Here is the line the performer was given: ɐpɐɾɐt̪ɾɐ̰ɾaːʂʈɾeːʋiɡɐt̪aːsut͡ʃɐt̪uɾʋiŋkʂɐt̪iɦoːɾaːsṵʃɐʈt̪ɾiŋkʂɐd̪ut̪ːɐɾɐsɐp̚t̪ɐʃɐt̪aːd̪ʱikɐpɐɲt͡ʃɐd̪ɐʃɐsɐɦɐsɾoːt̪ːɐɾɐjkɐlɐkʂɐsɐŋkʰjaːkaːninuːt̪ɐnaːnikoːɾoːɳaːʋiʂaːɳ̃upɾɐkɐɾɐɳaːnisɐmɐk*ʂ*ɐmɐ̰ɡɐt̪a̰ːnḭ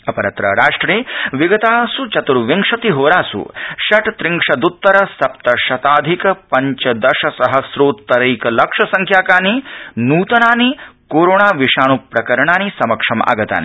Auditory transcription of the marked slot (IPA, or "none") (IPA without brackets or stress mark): ʂ